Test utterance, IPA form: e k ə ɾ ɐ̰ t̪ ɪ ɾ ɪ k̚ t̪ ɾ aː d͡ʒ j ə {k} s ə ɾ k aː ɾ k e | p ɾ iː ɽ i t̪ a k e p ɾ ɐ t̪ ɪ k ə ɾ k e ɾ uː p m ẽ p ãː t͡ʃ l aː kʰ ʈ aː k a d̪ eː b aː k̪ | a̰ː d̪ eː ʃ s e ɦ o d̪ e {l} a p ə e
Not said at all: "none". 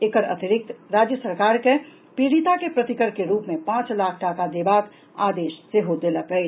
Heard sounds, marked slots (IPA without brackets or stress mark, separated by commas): none, l